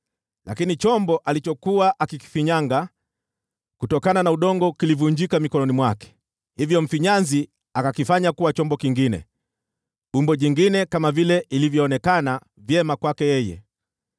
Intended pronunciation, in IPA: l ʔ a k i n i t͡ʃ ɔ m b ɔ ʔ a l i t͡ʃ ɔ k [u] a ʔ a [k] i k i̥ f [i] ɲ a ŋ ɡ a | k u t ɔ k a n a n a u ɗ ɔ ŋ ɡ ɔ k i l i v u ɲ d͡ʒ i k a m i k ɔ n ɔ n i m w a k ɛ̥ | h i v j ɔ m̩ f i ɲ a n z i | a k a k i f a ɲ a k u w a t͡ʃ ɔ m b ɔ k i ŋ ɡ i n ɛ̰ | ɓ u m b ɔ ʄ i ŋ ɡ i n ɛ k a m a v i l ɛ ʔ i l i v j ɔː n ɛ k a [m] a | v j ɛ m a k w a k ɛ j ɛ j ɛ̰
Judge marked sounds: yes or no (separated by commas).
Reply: yes, yes, yes, no